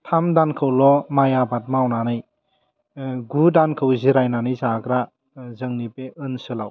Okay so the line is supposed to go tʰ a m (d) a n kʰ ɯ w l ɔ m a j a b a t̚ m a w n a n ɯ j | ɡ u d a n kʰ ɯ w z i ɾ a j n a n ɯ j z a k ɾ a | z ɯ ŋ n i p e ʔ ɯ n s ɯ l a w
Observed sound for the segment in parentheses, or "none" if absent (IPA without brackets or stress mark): d